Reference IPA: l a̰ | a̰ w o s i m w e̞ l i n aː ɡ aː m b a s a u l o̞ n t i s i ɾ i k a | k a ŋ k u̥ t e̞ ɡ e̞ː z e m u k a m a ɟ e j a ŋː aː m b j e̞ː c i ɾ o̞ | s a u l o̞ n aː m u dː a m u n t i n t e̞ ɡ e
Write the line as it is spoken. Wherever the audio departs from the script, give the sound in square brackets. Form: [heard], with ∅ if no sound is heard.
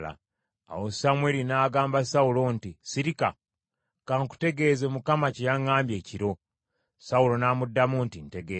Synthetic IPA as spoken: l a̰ | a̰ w o s [a] m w e̞ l i n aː ɡ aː m b a s a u l o̞ n t i s i ɾ i k a | k a ŋ k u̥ t e̞ ɡ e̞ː z e m u k a m a [c] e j a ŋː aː m b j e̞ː c i ɾ o̞ | s a u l o̞ n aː m u dː a m u n t i n t e̞ ɡ e